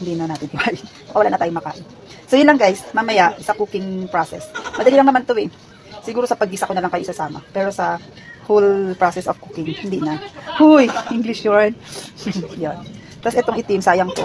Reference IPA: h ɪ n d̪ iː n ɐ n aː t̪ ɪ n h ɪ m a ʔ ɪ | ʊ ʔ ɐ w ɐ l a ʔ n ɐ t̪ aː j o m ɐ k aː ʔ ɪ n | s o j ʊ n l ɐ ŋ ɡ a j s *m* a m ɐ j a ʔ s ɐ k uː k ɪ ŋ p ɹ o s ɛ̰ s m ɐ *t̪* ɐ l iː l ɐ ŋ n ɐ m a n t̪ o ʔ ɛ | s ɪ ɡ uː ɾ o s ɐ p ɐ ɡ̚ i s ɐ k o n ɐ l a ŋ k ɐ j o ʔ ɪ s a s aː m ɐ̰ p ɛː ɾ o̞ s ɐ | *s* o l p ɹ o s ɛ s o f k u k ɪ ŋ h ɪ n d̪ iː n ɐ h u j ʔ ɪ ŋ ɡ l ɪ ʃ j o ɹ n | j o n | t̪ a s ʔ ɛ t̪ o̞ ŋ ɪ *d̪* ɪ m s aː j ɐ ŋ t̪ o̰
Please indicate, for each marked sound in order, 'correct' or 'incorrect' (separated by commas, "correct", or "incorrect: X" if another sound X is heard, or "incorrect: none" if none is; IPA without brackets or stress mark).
correct, incorrect: d̪, incorrect: h, incorrect: t̪